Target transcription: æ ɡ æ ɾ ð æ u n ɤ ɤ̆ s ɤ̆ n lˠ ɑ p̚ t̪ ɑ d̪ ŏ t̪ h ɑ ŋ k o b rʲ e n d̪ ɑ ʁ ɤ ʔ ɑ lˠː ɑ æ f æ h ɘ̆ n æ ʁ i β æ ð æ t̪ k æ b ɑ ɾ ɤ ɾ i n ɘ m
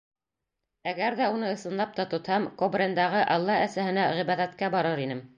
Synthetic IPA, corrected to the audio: æ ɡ æ ɾ ð æ u n ɤ ɤ̆ s ɤ̆ n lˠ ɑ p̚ t̪ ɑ t̪ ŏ t̪ h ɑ m k o b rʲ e n d̪ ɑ ʁ ɤ ʔ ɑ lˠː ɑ æ s æ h ɘ̆ n æ ʁ i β æ ð æ t̪ k æ b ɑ ɾ ɤ ɾ i n ɘ m